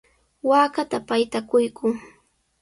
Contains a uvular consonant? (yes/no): no